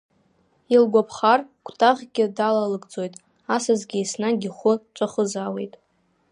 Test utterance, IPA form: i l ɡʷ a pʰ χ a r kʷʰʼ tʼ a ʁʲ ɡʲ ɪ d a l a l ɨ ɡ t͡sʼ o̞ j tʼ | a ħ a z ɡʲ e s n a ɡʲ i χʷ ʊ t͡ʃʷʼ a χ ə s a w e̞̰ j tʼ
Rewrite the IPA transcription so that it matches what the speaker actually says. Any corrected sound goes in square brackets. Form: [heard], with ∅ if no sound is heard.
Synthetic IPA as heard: i l ɡʷ a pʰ χ a r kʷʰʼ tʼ a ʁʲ ɡʲ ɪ d a l a l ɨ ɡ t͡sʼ o̞ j tʼ | a [s] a z ɡʲ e s n a ɡʲ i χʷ ʊ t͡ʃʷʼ a χ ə [z] a w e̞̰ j tʼ

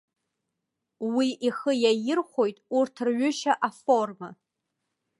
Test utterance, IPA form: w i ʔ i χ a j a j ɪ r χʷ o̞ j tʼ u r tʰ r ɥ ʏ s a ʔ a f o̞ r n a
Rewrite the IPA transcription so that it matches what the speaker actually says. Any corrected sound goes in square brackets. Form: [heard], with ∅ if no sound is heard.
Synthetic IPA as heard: w i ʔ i χ [ə] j a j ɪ r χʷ o̞ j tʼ u r tʰ r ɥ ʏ [ʃ] a ʔ a f o̞ r [m] a

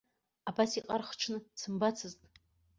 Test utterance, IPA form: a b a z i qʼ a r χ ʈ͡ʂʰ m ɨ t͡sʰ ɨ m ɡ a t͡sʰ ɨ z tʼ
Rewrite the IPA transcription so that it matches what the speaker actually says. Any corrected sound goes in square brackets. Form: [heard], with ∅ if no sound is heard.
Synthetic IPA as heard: a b a [s] i qʼ a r χ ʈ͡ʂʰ [n] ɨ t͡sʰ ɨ m [b] a t͡sʰ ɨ z tʼ

